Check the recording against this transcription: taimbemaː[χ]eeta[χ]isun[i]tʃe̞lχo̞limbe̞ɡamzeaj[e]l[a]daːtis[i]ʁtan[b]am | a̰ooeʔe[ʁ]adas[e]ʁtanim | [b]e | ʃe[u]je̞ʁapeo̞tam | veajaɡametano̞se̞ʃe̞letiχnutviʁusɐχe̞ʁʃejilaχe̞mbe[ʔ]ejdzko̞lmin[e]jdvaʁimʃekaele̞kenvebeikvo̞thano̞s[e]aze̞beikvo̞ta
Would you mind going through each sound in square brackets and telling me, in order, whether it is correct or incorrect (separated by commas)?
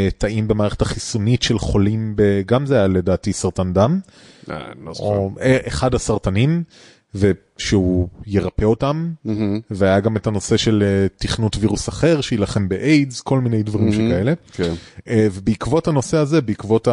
incorrect, correct, correct, incorrect, incorrect, incorrect, incorrect, incorrect, incorrect, incorrect, correct, correct, correct, correct